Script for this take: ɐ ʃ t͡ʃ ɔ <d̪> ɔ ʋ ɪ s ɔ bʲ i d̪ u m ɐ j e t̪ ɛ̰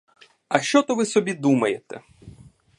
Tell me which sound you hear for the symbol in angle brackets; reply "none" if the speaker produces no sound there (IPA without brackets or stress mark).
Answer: t̪